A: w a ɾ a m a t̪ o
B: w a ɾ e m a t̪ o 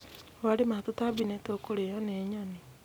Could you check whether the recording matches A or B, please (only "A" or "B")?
B